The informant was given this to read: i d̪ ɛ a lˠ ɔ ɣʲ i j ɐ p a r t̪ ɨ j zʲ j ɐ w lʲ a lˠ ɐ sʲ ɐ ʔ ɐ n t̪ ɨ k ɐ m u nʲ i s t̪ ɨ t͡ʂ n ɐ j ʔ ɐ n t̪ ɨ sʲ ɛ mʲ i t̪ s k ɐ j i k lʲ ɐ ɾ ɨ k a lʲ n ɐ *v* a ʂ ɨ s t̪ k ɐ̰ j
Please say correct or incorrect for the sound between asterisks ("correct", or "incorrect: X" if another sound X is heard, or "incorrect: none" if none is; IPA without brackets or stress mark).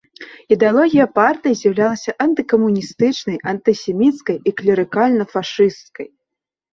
incorrect: f